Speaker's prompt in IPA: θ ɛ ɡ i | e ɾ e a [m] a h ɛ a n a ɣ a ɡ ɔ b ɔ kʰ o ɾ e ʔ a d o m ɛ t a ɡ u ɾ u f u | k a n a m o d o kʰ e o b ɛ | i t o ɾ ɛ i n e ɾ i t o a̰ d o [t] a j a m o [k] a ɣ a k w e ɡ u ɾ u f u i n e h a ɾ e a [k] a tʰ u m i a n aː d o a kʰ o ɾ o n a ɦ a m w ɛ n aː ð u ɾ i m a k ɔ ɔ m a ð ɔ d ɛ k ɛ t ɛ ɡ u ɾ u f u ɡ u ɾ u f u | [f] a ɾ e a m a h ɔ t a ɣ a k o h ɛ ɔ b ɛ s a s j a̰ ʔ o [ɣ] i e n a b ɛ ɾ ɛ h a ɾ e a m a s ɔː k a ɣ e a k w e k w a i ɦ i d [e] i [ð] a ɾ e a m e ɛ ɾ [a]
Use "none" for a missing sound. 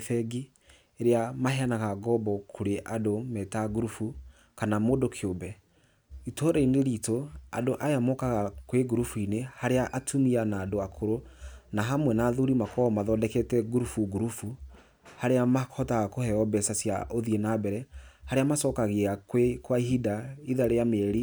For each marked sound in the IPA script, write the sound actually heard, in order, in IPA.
m, ʔ, k, ʔ, h, ð, a, ð, i

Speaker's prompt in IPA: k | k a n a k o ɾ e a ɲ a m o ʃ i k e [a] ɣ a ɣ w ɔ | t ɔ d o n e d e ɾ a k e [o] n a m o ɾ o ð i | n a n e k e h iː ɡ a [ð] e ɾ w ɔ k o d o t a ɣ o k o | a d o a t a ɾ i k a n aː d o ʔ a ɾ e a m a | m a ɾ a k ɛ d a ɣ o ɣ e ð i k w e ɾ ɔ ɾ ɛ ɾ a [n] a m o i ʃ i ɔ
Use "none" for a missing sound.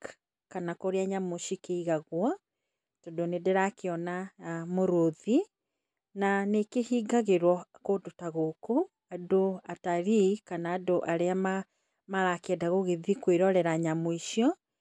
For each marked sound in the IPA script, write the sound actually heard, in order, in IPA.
i, ɔ, ɣ, ɲ

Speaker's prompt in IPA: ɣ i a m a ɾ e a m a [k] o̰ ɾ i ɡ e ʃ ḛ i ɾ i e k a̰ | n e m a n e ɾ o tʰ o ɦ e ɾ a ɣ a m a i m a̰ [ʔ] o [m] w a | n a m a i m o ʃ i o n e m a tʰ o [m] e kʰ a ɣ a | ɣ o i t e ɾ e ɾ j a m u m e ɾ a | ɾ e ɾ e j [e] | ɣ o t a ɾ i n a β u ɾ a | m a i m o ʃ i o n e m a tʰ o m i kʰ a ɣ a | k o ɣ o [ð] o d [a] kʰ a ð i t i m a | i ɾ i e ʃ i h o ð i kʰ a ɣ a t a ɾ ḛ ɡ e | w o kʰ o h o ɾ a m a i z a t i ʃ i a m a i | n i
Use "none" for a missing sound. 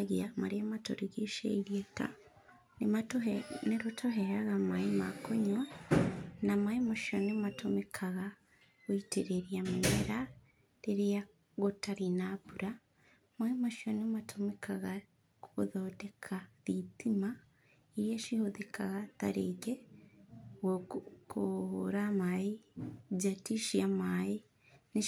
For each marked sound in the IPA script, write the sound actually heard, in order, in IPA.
t, k, ɲ, m, a, ð, e

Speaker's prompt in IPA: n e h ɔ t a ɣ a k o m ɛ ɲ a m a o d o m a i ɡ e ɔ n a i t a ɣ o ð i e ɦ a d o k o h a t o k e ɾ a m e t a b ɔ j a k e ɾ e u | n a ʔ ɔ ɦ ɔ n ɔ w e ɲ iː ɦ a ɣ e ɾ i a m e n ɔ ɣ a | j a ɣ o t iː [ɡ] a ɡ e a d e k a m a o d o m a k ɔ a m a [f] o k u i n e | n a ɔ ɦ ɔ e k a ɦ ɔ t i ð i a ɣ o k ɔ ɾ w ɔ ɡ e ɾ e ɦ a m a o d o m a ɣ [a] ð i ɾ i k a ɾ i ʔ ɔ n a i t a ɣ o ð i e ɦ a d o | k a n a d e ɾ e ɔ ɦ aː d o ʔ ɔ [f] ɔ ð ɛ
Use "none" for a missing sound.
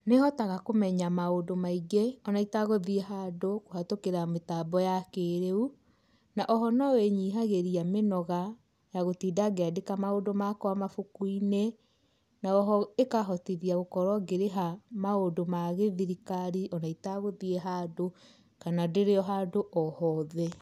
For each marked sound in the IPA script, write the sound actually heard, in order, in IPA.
d, f, e, h

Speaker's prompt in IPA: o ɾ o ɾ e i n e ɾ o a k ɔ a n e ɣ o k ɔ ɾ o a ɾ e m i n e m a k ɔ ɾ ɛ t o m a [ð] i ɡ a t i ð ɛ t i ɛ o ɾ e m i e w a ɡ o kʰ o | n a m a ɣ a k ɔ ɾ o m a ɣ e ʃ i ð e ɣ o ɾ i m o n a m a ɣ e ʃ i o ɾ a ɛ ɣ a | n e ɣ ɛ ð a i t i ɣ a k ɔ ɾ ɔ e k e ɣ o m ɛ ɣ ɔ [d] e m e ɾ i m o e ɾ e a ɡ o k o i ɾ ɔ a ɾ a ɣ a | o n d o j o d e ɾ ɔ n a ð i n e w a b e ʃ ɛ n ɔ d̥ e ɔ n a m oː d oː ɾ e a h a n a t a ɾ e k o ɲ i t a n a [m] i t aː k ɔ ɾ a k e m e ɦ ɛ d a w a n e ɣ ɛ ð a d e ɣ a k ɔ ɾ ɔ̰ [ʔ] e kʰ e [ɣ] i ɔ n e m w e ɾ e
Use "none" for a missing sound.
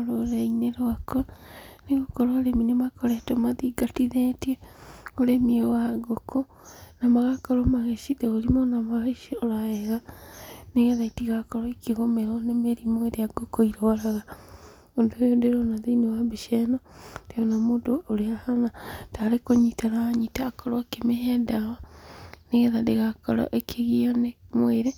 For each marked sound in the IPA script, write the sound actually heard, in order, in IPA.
ð, n, ɲ, ʔ, ɣ

